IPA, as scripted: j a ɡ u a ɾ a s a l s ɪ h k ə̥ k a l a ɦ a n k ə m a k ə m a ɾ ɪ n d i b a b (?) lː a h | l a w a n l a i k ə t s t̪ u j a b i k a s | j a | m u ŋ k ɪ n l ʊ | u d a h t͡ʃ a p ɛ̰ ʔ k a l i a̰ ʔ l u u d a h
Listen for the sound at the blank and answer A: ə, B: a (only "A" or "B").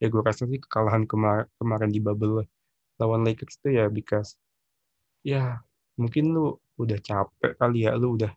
A